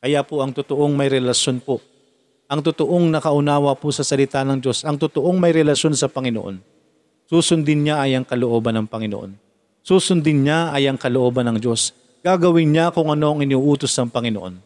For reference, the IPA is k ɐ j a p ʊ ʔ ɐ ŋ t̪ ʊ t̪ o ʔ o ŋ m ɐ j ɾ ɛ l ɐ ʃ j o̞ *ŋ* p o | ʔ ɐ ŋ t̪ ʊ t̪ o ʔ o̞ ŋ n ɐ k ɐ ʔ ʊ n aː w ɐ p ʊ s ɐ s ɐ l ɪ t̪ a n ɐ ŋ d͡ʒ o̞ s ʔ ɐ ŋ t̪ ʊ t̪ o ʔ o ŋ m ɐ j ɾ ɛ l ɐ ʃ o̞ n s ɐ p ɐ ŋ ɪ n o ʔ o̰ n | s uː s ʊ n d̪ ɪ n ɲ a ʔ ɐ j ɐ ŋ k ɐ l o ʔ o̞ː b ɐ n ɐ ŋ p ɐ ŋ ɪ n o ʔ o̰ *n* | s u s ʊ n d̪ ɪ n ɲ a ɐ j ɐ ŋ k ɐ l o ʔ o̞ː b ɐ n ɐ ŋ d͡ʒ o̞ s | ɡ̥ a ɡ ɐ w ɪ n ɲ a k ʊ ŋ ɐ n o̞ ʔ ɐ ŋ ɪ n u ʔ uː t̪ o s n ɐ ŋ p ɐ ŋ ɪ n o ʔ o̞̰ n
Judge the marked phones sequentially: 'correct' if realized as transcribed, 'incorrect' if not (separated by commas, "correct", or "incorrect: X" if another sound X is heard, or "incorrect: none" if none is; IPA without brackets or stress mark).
incorrect: n, correct